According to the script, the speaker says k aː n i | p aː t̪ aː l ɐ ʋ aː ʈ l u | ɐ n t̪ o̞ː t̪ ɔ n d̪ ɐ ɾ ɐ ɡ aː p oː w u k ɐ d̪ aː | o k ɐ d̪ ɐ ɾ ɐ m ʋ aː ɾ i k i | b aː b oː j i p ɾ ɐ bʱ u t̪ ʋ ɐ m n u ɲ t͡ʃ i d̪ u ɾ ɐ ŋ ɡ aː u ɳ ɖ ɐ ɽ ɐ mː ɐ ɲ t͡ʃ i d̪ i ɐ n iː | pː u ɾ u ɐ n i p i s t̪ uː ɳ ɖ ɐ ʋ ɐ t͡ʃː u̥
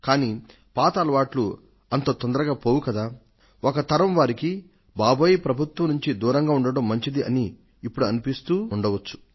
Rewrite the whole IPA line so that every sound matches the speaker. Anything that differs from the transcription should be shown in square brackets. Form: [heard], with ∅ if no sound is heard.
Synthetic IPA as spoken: k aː n i | p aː t̪ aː l ɐ ʋ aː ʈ l u | ɐ n t̪ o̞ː t̪ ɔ n d̪ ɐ ɾ ɐ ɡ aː p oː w u k ɐ d̪ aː | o k ɐ [t̪] ɐ ɾ ɐ m ʋ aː ɾ i k i | b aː b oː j i p ɾ ɐ bʱ u t̪ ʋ ɐ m n u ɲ t͡ʃ i d̪ [uː] ɾ ɐ ŋ ɡ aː u ɳ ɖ ɐ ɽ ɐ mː ɐ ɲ t͡ʃ i d̪ i ɐ n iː | pː u [ɽ] u ɐ n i p i s t̪ uː ɳ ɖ ɐ ʋ ɐ t͡ʃː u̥